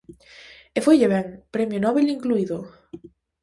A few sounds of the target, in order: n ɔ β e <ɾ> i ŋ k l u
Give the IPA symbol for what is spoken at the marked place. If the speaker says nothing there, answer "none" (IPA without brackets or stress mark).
l